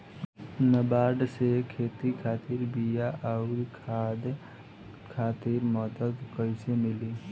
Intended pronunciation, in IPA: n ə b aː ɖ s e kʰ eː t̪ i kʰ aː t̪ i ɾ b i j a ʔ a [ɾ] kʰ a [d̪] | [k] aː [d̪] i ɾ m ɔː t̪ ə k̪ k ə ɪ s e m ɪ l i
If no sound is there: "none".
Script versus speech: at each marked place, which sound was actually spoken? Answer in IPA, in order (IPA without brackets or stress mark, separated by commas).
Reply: ɾ, d̪, kʰ, t̪